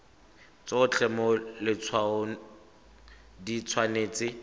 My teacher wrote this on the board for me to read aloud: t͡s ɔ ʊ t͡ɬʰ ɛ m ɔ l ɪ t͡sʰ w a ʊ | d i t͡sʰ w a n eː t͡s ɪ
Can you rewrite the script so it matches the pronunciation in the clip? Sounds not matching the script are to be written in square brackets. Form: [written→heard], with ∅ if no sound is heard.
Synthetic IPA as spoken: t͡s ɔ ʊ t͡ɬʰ ɛ m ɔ l ɪ t͡sʰ w a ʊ | d i t͡sʰ w a n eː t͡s ɪ